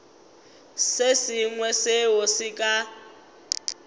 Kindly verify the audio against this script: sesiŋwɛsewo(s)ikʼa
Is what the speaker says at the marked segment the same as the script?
yes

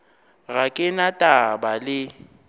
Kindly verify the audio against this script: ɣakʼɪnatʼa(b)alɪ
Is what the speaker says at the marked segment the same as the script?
yes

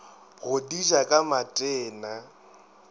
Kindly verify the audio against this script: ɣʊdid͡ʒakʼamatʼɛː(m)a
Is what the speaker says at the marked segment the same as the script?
no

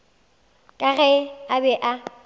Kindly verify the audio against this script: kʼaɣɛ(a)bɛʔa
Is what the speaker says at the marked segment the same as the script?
yes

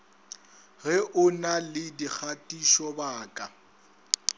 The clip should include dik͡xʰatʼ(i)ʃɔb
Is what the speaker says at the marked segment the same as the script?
yes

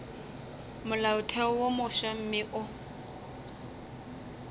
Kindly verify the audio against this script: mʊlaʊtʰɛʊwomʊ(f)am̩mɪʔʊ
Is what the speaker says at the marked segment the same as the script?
no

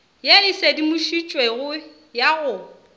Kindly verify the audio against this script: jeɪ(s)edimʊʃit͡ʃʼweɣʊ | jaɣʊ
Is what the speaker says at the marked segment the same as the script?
yes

